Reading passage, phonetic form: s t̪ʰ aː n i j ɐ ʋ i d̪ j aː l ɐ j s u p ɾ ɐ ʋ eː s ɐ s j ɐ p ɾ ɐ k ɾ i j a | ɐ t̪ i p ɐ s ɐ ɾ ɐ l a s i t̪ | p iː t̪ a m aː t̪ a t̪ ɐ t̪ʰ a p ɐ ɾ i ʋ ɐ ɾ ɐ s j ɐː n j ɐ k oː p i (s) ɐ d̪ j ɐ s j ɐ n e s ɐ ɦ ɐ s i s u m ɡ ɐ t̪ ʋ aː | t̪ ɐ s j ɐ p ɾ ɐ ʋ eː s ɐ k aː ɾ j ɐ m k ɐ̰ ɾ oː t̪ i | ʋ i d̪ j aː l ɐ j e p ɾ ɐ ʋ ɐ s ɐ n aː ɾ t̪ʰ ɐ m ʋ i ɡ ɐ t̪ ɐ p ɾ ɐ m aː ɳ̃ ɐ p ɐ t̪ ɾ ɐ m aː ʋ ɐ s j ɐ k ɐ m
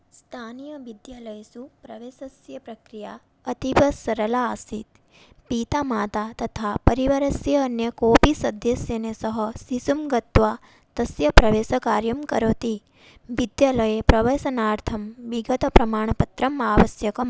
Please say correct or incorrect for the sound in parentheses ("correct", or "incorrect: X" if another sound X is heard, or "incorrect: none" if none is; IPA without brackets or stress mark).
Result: correct